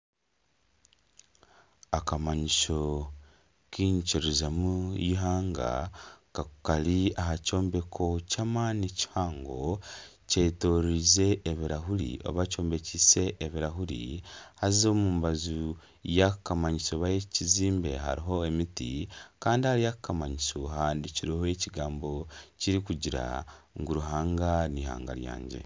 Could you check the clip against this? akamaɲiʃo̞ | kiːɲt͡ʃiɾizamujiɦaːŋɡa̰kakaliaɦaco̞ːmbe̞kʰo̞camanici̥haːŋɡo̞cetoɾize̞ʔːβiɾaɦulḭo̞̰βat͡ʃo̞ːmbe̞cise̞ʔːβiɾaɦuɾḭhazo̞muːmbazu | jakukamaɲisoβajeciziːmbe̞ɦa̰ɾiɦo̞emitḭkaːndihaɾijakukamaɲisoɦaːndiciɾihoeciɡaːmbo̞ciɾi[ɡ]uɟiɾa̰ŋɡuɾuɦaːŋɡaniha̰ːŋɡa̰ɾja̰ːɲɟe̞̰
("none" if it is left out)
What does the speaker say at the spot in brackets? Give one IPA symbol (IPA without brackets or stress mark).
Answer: k